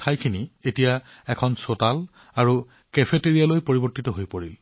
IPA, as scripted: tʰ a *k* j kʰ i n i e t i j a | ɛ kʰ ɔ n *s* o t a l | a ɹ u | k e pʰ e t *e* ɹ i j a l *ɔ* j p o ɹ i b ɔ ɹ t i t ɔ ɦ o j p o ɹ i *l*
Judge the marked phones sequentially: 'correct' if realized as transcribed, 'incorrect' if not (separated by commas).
incorrect, correct, correct, incorrect, correct